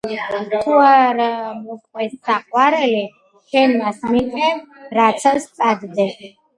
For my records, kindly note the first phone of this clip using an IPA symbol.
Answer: t̪ʰ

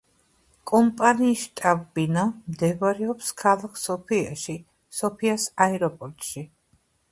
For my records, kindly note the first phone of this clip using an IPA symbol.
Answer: kʼ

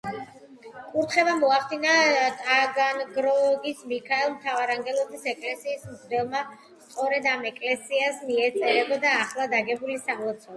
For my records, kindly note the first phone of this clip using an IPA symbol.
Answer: kʼ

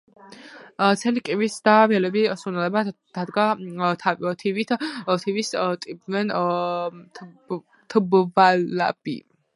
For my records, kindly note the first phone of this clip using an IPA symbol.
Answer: t̪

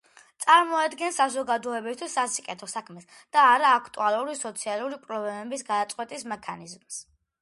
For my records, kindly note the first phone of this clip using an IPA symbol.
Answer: t̪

